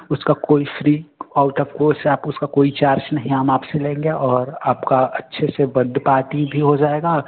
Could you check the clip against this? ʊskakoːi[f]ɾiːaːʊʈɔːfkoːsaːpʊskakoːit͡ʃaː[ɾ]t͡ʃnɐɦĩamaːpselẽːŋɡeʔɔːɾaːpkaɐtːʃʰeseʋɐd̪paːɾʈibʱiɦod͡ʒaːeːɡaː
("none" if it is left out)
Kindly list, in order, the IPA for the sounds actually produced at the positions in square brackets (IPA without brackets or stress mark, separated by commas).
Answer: f, ɾ